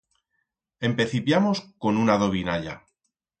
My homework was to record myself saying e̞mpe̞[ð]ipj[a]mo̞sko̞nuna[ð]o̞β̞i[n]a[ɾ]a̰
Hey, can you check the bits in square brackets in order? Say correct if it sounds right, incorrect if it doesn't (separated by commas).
incorrect, correct, correct, correct, incorrect